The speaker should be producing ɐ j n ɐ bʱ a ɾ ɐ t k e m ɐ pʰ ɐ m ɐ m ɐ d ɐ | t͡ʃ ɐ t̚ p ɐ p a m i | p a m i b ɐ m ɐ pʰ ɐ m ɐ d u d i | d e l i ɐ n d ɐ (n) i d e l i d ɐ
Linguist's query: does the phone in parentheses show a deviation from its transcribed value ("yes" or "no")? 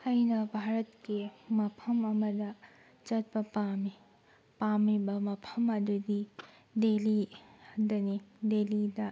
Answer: no